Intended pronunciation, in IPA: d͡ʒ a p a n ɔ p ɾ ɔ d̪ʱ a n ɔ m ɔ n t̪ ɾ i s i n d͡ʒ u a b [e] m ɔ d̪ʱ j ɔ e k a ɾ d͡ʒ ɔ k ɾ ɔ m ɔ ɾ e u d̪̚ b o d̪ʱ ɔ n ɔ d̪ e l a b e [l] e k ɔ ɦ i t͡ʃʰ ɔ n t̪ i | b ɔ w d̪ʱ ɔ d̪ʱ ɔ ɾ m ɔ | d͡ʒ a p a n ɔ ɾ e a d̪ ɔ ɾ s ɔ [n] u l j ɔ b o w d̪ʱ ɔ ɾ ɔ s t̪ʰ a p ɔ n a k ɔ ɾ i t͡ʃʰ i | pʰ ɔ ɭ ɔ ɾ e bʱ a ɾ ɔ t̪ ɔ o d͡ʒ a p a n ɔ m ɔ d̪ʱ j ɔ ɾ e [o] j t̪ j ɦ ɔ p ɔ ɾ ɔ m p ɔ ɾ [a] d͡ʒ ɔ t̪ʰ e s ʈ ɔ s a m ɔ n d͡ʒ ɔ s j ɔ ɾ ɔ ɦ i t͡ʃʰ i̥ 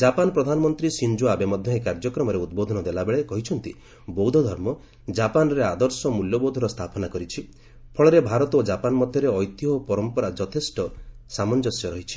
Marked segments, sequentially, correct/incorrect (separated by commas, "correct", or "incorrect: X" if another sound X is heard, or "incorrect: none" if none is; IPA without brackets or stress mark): correct, incorrect: ɭ, incorrect: m, incorrect: ɔ, correct